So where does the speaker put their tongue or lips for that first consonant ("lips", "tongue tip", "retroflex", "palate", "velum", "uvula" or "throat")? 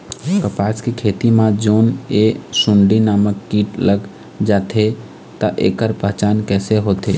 velum